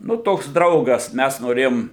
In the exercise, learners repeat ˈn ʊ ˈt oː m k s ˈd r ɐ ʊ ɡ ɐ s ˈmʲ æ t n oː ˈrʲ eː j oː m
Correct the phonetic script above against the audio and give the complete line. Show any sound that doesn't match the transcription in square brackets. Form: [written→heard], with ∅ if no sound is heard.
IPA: ˈn ʊ ˈt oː [m→∅] k s ˈd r ɐ ʊ ɡ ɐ s ˈmʲ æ [t→s] n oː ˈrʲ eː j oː m